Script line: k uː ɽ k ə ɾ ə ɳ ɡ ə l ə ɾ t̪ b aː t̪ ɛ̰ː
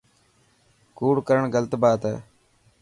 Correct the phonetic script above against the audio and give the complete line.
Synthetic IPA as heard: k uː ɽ k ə ɾ ə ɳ ɡ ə l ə t̪ b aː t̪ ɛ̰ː